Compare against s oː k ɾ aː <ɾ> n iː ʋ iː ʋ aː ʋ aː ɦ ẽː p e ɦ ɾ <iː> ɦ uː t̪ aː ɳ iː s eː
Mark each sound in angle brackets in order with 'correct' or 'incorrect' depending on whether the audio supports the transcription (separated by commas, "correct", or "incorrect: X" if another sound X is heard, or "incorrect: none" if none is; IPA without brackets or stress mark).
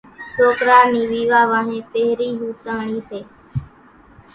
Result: correct, correct